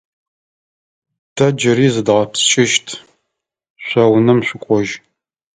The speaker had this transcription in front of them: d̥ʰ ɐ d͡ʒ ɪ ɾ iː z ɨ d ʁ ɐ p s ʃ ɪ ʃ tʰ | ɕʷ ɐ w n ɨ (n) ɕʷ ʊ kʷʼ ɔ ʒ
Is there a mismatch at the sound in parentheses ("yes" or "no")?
yes